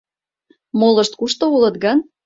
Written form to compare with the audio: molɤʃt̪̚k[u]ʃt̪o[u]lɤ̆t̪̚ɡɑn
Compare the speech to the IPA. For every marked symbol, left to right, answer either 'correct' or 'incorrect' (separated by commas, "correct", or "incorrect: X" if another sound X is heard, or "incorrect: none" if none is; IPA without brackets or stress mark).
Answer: correct, correct